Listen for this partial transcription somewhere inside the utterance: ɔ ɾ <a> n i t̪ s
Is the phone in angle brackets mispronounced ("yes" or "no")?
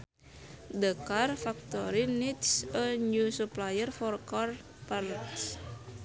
yes